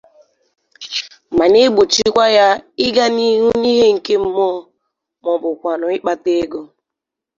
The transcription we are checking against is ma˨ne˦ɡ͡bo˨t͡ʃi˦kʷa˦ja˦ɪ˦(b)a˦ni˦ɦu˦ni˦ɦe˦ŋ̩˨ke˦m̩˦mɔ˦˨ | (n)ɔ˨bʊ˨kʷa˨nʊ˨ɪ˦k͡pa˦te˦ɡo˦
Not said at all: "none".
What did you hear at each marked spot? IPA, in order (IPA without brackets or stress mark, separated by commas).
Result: ɡ, m